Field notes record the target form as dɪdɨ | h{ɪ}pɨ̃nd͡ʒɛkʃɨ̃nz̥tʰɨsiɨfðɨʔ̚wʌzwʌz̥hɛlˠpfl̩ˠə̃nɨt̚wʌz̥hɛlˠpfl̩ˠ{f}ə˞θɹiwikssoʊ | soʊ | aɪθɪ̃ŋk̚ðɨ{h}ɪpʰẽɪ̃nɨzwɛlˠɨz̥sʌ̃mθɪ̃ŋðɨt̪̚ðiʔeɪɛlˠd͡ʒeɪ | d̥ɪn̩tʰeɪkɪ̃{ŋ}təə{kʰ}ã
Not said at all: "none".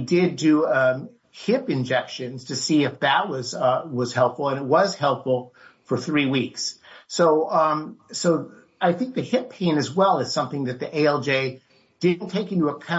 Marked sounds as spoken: ɪ, f, h, n, kʰ

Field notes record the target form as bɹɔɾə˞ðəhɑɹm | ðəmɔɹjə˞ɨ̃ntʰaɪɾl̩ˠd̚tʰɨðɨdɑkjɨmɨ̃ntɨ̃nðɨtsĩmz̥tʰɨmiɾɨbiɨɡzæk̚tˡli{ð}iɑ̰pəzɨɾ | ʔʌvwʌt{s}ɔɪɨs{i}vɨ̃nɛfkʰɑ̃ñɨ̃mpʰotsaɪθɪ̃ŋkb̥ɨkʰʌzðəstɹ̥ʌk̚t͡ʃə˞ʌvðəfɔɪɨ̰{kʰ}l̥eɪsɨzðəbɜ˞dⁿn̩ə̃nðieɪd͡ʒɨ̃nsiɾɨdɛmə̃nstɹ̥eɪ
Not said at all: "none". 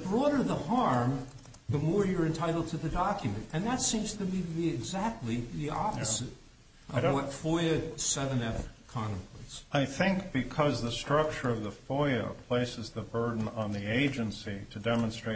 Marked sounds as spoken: ð, f, ɛ, pʰ

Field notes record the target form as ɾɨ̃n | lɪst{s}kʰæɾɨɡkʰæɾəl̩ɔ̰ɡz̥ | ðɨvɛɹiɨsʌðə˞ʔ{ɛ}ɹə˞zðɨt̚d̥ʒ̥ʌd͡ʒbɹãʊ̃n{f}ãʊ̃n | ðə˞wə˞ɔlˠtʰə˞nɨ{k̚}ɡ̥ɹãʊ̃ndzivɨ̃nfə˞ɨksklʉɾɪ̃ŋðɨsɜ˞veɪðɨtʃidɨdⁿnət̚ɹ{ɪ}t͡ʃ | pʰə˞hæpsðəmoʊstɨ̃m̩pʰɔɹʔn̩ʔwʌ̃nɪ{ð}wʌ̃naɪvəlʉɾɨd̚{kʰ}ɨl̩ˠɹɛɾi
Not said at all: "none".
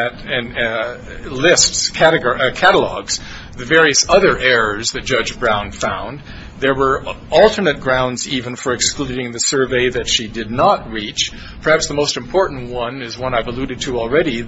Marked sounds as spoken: s, ɛ, f, t̚, i, z, tʰ

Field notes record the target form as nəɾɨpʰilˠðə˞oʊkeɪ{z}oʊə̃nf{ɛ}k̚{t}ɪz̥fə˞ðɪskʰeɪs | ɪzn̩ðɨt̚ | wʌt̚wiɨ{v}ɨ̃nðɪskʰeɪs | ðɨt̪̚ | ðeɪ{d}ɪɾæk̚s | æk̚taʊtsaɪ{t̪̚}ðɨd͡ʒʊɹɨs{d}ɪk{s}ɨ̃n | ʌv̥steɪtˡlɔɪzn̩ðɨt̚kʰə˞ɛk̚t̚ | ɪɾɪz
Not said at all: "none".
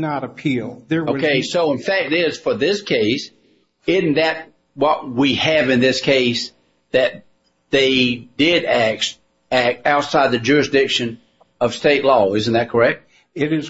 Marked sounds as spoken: s, æ, t, v, d, d̪̚, d, ʃ

